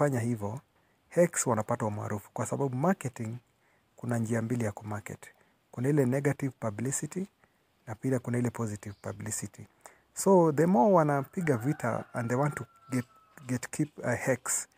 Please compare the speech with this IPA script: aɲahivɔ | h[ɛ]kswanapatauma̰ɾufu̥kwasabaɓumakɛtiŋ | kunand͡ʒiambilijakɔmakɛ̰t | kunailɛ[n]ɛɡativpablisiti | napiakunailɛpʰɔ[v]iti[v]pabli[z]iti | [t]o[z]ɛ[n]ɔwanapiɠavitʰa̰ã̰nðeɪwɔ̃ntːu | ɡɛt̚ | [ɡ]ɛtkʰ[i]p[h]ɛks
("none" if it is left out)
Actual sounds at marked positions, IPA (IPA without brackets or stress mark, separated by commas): ɛ, n, z, v, s, s, ð, m, ɡ, i, h